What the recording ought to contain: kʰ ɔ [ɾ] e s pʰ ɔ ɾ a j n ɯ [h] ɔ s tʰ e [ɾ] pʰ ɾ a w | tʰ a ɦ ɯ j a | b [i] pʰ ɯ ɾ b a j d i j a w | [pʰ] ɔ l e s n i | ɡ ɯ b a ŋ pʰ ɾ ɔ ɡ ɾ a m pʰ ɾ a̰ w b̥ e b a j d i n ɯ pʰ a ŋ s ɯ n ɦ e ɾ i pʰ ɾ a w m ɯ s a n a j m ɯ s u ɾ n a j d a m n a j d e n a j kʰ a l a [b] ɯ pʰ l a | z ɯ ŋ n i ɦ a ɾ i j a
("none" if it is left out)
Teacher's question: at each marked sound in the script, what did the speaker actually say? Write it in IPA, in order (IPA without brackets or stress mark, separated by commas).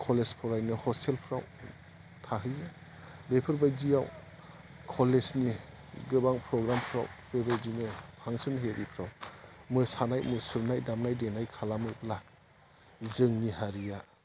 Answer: l, h, l, e, kʰ, m